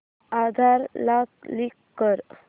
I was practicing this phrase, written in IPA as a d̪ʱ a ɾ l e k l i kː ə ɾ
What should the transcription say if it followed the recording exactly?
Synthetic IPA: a d̪ʱ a ɾ l a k l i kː ə ɾ